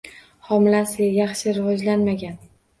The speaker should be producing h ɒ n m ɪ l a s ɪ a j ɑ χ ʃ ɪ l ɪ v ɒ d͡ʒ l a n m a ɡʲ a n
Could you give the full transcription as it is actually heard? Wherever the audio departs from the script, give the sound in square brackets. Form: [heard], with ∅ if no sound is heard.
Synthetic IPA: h ɒ [∅] m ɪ l a s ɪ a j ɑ χ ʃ ɪ [ɾ] ɪ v ɒ d͡ʒ l a n m a ɡʲ a n